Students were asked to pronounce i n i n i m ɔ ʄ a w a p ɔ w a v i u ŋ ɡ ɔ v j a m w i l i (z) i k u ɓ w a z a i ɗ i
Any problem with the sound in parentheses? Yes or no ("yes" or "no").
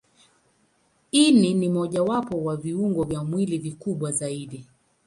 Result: yes